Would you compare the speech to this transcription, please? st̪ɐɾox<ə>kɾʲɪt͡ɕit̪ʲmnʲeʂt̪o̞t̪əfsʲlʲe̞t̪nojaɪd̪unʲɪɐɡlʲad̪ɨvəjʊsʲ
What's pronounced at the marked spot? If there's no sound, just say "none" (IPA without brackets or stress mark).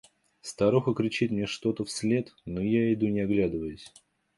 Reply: ə